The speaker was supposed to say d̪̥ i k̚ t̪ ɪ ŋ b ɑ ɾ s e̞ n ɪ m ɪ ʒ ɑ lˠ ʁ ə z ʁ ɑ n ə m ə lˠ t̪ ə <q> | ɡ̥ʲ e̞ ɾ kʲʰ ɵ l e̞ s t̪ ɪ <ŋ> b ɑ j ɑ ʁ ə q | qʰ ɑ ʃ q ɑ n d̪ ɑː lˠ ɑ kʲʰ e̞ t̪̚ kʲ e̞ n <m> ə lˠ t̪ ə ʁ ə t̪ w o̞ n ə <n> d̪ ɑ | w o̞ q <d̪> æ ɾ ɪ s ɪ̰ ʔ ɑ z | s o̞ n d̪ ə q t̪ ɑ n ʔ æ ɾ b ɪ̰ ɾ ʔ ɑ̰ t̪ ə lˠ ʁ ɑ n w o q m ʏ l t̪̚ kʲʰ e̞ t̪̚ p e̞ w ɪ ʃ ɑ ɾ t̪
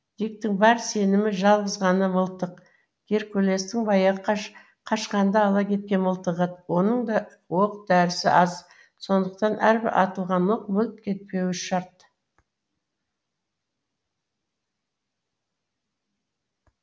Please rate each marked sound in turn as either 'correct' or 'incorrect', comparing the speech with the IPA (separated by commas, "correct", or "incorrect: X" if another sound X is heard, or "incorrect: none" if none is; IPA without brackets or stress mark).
correct, correct, correct, incorrect: ɴ, correct